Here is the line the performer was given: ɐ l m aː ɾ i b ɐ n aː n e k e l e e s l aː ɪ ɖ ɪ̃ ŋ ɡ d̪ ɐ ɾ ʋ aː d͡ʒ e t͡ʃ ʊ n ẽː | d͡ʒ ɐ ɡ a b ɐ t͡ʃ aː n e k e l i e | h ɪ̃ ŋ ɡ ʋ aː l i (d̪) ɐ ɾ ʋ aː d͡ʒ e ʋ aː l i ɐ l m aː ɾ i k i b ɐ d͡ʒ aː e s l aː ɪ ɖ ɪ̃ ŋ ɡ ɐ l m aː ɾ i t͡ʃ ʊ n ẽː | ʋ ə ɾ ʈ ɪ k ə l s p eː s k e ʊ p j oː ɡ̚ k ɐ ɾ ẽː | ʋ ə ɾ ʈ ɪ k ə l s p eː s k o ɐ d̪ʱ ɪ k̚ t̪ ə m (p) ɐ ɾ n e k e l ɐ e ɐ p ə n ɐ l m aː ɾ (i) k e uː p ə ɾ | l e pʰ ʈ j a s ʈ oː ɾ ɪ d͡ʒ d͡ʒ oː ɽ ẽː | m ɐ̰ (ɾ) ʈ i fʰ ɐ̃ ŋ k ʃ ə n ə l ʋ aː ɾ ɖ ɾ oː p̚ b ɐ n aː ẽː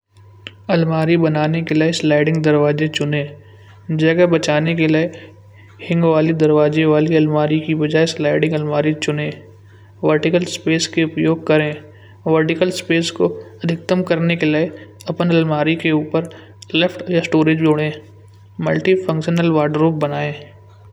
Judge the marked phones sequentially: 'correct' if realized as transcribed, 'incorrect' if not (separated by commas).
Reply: correct, incorrect, correct, incorrect